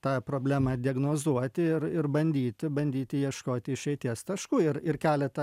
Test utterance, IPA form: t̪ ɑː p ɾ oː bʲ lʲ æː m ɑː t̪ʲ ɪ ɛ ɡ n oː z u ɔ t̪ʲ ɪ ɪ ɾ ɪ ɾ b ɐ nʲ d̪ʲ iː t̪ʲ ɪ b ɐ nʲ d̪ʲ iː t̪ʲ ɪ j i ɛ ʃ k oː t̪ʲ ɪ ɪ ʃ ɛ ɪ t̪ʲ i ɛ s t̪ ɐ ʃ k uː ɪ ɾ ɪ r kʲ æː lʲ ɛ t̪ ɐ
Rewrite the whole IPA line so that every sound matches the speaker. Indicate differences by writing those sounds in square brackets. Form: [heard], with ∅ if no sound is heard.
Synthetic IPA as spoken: t̪ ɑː p ɾ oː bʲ lʲ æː m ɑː [d̪ʲ] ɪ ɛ ɡ n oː z u ɔ t̪ʲ ɪ ɪ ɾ ɪ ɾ b ɐ nʲ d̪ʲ iː t̪ʲ ɪ b ɐ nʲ d̪ʲ iː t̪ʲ ɪ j i ɛ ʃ k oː t̪ʲ ɪ ɪ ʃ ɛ ɪ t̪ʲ i ɛ s t̪ ɐ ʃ k uː ɪ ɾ ɪ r kʲ æː lʲ ɛ t̪ ɐ